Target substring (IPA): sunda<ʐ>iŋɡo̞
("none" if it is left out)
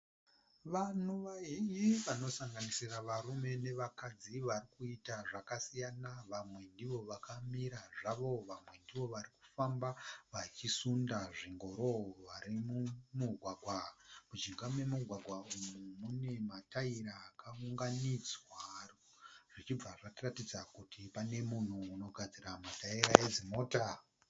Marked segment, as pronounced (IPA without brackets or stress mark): ʐ